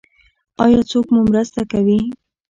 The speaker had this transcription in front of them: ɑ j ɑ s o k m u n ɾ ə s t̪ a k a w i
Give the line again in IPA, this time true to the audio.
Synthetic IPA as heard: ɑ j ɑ t͡s o k m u m ɾ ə s t̪ a k a w i